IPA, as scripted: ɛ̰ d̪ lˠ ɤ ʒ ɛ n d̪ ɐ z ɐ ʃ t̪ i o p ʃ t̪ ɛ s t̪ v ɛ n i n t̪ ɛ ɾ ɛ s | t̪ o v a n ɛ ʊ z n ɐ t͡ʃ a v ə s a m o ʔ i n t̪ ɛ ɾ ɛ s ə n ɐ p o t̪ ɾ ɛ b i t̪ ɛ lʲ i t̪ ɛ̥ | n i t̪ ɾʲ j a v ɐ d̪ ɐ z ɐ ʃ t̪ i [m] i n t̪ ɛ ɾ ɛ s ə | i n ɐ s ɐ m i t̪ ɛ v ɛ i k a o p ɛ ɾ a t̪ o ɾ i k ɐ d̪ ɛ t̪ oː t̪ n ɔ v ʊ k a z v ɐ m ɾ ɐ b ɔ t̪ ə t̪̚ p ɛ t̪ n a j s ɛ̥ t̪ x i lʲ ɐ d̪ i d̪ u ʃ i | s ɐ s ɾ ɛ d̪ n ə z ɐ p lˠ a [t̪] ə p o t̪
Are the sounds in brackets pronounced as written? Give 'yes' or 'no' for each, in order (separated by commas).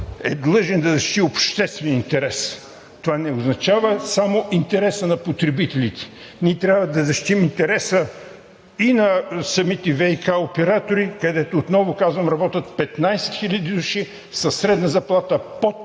yes, yes